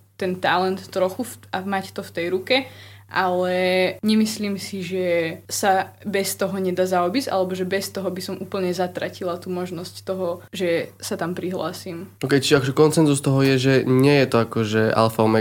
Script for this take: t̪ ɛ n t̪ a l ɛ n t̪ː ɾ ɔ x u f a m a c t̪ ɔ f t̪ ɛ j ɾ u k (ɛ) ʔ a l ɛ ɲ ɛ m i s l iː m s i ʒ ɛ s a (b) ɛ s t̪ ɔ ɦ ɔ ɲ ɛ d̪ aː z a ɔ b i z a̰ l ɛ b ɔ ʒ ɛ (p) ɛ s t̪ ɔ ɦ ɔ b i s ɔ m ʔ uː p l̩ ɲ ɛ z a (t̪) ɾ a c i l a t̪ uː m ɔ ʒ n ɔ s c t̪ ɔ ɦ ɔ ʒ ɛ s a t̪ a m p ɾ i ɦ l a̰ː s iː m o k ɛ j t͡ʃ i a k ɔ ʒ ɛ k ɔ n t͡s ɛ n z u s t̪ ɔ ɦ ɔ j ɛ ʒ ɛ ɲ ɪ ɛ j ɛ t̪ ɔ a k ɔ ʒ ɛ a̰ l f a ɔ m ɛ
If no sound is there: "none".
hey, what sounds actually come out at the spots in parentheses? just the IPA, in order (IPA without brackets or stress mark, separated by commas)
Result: ɛ, b, b, t̪